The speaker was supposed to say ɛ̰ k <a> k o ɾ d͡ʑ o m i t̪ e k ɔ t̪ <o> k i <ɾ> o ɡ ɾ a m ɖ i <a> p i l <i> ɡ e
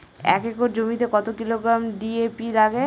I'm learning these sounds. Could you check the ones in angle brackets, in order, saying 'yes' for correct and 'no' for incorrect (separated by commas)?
no, yes, no, no, no